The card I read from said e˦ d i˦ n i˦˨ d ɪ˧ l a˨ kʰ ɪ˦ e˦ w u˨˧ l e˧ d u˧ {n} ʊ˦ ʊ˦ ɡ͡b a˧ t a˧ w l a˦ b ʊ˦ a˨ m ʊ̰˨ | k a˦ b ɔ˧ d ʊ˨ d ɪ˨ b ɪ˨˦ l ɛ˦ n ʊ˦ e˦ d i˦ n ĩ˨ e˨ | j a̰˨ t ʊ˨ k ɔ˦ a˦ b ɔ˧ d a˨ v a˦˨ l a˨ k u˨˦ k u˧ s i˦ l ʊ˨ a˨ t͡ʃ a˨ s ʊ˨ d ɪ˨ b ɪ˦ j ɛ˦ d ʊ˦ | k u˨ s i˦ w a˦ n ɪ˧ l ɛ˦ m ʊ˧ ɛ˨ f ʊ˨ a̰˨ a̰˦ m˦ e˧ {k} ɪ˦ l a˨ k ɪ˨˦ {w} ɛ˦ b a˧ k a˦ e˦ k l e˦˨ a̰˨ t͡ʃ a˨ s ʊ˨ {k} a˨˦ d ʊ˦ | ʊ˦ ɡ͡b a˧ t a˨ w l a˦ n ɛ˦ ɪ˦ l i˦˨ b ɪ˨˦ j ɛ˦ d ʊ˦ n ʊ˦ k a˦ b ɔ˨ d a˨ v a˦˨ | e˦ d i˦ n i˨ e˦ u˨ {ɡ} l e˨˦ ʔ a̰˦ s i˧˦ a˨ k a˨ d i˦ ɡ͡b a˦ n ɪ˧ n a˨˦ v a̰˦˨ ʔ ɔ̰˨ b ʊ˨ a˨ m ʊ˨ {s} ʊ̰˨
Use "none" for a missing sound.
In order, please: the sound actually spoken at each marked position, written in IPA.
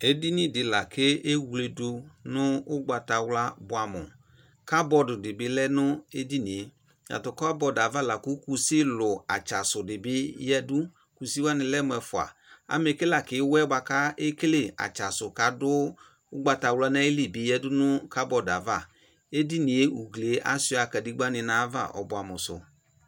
n, k, w, k, ɡ, s

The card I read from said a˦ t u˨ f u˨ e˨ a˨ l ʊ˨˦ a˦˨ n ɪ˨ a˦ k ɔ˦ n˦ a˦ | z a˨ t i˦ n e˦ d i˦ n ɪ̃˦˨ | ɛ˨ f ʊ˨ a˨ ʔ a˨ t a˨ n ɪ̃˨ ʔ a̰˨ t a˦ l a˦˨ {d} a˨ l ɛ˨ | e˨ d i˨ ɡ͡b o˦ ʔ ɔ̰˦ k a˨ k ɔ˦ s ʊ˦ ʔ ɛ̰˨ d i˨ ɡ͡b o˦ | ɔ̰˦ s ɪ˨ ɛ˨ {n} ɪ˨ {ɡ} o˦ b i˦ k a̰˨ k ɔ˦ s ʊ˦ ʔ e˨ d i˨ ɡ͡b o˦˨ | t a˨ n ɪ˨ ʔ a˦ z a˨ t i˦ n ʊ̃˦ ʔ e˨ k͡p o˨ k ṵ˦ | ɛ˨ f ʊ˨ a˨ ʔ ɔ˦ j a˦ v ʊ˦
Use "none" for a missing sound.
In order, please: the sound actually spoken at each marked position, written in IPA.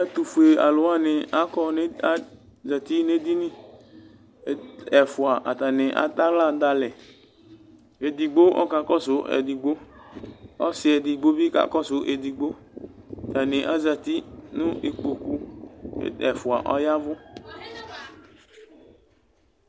d, d, ɡ͡b

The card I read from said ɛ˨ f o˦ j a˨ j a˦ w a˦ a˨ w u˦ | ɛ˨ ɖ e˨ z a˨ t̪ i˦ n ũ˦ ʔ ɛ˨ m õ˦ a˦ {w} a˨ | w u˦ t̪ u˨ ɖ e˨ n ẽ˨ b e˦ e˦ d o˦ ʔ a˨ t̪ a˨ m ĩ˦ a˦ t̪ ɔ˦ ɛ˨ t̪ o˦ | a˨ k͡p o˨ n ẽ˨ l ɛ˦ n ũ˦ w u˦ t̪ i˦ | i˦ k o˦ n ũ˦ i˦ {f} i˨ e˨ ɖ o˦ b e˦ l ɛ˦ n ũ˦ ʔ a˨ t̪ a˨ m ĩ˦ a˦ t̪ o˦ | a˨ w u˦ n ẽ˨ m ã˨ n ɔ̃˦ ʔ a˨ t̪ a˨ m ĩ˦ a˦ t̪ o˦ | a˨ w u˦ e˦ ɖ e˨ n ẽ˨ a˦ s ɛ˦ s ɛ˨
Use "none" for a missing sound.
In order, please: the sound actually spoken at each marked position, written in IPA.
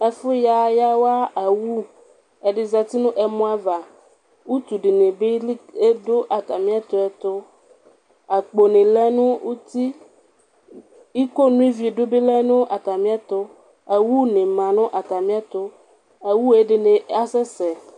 v, v

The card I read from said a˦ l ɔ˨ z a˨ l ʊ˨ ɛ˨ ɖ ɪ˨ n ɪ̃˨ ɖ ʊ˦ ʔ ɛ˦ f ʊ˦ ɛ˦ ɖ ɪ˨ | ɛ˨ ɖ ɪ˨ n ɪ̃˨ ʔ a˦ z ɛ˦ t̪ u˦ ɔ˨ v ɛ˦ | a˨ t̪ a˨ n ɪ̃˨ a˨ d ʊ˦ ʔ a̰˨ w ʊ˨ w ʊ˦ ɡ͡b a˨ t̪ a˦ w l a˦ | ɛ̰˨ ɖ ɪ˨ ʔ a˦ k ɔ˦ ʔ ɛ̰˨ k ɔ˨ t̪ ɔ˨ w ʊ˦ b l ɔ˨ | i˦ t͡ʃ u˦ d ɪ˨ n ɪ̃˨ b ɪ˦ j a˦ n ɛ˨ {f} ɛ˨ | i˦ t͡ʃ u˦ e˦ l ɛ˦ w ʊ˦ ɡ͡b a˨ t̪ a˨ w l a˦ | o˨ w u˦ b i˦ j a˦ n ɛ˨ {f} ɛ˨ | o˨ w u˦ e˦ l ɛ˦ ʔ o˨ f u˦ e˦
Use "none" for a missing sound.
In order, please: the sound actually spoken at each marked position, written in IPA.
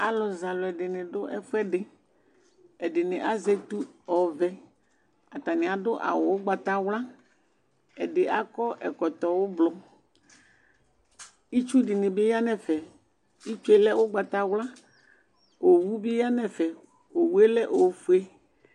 f, f

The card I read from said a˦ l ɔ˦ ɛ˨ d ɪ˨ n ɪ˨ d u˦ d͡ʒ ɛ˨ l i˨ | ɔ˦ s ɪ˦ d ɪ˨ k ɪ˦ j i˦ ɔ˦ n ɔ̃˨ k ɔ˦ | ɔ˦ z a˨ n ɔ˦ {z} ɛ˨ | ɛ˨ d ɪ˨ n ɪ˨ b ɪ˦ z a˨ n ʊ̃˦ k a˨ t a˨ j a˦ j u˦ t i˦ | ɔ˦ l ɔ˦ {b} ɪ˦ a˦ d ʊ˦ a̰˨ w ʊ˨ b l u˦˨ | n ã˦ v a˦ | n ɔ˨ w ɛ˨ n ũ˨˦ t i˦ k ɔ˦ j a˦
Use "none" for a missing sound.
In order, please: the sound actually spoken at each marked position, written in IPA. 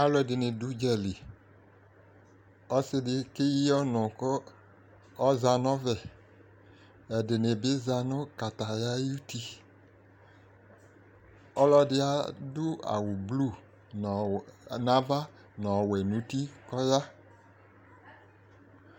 v, d

